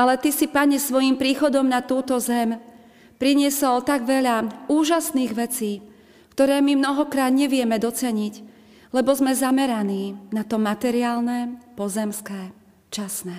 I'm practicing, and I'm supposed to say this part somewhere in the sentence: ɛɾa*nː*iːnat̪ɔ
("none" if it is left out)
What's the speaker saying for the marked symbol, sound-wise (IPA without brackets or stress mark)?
n